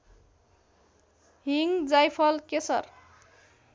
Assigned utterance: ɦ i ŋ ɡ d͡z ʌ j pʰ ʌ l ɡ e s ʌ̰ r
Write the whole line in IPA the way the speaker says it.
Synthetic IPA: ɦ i ŋ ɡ d͡z a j pʰ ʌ l k e s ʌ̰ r